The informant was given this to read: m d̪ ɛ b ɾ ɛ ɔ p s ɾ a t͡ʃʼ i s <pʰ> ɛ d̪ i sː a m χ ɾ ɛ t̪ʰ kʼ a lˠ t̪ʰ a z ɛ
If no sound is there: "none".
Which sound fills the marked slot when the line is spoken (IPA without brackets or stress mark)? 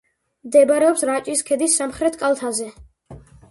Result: kʰ